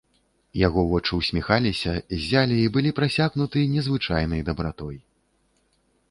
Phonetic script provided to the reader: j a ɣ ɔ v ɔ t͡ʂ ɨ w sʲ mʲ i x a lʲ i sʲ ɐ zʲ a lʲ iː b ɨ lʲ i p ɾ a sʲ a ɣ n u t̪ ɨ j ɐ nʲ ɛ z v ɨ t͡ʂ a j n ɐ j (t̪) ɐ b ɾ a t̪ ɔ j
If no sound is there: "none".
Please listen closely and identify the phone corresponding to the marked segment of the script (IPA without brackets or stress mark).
d̪